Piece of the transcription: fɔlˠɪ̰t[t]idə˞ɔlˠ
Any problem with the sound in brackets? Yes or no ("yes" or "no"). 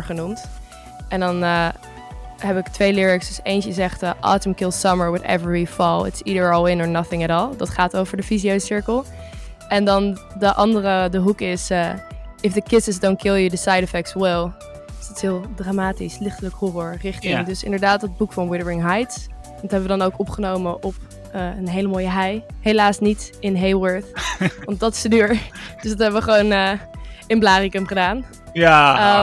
yes